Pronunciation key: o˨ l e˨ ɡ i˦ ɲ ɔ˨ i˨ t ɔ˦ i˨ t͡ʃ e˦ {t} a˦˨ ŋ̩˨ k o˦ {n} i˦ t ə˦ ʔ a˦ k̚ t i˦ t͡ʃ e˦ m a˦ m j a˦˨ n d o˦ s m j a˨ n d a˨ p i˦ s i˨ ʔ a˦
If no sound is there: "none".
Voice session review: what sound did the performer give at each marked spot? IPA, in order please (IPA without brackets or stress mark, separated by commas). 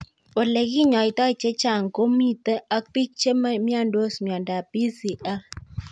t͡ʃ, m